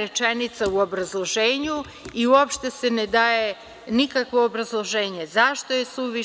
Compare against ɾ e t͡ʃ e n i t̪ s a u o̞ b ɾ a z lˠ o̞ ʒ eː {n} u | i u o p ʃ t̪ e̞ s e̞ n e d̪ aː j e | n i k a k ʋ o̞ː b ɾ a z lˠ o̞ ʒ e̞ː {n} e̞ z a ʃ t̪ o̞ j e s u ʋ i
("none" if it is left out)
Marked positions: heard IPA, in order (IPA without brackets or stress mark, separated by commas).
ɲ, ɲ